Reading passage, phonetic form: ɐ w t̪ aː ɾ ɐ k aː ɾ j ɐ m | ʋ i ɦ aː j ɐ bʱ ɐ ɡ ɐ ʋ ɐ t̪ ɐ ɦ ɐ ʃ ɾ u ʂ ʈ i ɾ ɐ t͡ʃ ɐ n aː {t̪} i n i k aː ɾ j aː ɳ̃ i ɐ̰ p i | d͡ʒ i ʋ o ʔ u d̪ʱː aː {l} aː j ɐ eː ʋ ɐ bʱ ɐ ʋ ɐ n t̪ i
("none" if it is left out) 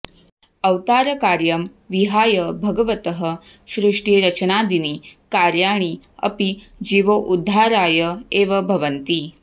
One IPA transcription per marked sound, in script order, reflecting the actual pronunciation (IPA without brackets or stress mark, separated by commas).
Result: d̪, ɾ